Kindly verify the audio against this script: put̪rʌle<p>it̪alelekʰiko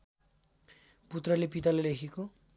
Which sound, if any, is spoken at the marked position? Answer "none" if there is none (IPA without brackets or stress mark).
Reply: p